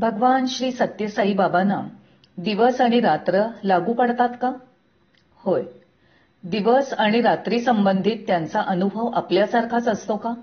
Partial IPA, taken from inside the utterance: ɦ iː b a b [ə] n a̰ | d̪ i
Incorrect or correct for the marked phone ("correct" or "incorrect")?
incorrect